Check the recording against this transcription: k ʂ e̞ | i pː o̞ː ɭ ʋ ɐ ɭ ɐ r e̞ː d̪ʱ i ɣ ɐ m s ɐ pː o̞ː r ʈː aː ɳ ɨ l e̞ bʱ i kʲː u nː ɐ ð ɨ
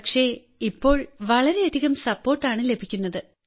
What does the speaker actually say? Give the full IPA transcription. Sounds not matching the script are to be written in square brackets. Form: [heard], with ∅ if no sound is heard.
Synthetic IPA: k ʂ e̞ | i pː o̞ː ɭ ʋ ɐ ɭ ɐ [ɾ] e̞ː d̪ʱ i ɣ ɐ m s ɐ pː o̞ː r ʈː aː ɳ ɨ l e̞ bʱ i kʲː u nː ɐ ð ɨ

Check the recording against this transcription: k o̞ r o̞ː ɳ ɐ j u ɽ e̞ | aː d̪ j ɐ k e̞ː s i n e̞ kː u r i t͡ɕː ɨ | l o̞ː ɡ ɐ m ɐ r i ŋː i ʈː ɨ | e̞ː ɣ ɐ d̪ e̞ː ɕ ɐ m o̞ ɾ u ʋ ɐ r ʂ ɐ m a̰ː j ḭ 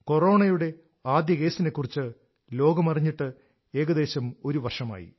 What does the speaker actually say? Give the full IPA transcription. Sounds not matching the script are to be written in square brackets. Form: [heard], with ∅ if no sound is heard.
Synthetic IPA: k o̞ r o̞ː ɳ ɐ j u ɽ e̞ | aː d̪ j ɐ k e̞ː s i n e̞ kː u r i t͡ɕː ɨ | l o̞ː ɡ ɐ m ɐ r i [ɲː] i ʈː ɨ | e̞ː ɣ ɐ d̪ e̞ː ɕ ɐ m o̞ ɾ u ʋ ɐ r ʂ ɐ m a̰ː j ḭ

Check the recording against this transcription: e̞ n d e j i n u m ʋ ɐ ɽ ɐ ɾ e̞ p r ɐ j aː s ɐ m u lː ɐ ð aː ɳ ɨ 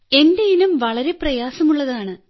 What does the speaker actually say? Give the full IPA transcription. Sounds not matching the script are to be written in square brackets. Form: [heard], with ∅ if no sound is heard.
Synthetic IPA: e̞ n d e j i n u m ʋ ɐ [ɭ] ɐ ɾ e̞ p r ɐ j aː s ɐ m u [ɭː] ɐ ð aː ɳ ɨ

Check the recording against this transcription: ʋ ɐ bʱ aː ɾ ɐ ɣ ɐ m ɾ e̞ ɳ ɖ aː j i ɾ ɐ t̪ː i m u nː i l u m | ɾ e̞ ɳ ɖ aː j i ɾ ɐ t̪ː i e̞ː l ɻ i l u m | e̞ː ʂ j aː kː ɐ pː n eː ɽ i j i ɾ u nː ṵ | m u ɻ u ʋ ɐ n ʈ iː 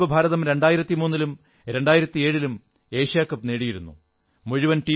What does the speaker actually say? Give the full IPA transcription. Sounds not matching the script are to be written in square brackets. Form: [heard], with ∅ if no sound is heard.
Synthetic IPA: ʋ ɐ bʱ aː ɾ ɐ [ð] ɐ m ɾ e̞ ɳ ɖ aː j i ɾ ɐ t̪ː i m [uː] nː i l u m | ɾ e̞ ɳ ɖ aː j i ɾ ɐ t̪ː i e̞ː [∅] ɻ i l u m | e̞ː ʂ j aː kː ɐ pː n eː ɽ i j i ɾ u nː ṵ | m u ɻ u ʋ ɐ n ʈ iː

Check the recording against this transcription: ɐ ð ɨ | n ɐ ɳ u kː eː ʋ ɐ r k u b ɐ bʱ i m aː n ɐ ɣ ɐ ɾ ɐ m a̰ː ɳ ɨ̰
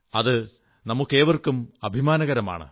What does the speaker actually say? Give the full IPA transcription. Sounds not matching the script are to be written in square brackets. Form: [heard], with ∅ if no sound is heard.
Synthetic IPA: ɐ ð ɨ | n ɐ [m] u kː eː ʋ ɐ r k u [m] ɐ bʱ i m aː n ɐ ɣ ɐ ɾ ɐ m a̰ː ɳ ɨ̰

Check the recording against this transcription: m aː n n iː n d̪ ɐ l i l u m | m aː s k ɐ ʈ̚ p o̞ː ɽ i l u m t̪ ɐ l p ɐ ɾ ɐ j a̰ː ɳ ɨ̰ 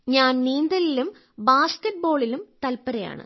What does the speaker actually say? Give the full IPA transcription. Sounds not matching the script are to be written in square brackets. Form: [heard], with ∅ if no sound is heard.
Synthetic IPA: [ɲ] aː n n iː n d̪ ɐ l i l u m | [b] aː s k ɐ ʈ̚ [b] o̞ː [ɭ] i l u m t̪ ɐ l p ɐ ɾ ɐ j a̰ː ɳ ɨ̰

